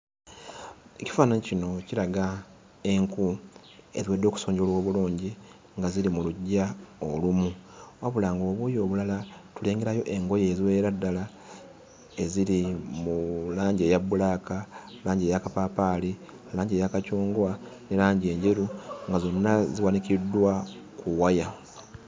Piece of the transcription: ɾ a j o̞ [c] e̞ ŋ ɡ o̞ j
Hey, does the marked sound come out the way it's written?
no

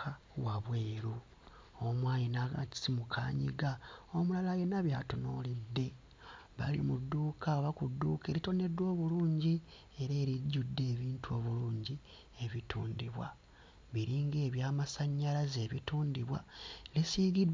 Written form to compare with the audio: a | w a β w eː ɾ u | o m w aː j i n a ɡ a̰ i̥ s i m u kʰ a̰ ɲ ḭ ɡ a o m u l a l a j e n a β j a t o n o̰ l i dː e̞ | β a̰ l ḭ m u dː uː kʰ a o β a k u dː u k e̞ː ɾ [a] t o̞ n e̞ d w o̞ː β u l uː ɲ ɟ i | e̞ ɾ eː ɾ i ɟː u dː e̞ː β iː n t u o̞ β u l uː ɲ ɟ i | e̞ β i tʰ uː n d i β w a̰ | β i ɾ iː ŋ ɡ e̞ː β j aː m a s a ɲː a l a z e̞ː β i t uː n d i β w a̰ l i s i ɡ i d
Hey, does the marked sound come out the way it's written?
no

